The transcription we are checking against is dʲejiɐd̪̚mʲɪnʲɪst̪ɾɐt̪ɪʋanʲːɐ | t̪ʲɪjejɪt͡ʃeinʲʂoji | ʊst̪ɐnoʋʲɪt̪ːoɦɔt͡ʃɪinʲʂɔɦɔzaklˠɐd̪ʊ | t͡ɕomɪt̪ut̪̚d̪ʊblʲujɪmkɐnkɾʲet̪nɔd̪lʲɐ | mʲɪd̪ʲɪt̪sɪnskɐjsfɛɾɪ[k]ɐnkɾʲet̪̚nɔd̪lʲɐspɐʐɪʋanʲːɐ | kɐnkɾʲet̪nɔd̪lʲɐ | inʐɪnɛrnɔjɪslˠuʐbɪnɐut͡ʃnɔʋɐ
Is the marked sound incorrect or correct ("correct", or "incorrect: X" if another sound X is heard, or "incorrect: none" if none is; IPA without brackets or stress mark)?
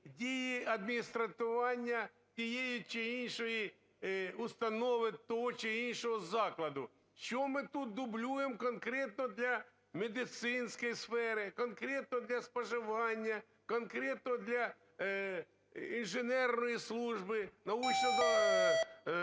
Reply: correct